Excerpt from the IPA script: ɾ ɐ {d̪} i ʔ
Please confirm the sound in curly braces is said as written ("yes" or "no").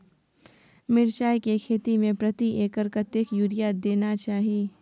no